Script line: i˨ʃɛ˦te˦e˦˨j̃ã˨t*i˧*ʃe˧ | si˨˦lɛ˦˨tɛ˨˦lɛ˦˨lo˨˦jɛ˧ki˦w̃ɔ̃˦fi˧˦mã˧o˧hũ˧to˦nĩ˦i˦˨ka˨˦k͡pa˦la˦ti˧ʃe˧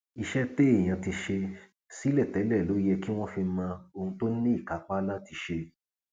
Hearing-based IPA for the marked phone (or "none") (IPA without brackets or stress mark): i˧